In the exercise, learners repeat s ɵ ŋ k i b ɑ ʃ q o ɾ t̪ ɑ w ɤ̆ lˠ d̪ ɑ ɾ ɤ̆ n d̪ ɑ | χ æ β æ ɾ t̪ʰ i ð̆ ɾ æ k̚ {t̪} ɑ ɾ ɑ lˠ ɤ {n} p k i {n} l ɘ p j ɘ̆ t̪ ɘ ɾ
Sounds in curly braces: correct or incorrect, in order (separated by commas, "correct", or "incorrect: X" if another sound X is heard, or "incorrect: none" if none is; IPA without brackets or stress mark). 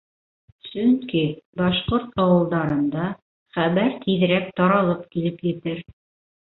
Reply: correct, incorrect: none, incorrect: none